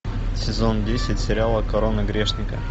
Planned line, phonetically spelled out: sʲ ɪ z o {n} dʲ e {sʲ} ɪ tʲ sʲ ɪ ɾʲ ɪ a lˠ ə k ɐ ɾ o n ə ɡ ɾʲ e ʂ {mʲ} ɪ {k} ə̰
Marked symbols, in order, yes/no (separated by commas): yes, yes, no, yes